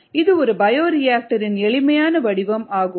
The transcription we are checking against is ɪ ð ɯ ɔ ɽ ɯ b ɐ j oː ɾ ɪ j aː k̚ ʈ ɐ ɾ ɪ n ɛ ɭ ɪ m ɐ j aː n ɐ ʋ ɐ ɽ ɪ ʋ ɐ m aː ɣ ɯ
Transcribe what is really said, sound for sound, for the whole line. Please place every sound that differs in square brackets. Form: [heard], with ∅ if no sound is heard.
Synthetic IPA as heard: ɪ ð ɯ ɔ [ɾ] ɯ b ɐ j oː ɾ ɪ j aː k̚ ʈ ɐ ɾ ɪ n ɛ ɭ ɪ m ɐ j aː n ɐ ʋ ɐ ɽ ɪ ʋ ɐ m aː ɣ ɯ